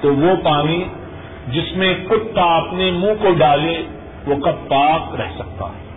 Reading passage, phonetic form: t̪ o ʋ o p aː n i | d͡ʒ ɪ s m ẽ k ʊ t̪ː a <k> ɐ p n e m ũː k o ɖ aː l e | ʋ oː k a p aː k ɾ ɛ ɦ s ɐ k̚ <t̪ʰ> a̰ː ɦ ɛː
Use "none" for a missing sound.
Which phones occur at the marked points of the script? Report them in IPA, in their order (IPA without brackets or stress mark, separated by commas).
none, t̪